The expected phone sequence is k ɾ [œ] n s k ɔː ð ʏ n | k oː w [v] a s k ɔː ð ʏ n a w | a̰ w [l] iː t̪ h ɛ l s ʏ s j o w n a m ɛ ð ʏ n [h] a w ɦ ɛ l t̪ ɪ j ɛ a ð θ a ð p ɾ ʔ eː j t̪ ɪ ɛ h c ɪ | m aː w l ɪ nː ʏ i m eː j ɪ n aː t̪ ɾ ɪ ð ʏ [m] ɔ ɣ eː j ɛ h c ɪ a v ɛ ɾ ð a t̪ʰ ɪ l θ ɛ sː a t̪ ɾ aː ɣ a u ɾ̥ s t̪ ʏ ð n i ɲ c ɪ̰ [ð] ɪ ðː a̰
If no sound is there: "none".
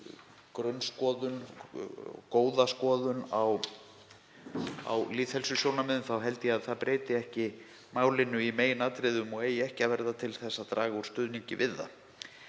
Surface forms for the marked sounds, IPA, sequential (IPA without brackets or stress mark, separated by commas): œ, ð, l, θ, m, v